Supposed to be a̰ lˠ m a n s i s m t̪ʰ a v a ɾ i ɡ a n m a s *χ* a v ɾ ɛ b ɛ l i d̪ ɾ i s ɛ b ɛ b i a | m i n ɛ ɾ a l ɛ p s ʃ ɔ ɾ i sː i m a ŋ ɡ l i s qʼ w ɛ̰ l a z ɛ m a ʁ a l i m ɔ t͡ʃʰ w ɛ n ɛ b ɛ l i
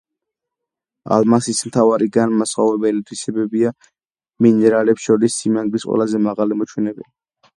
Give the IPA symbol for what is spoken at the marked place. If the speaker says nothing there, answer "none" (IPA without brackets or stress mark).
χ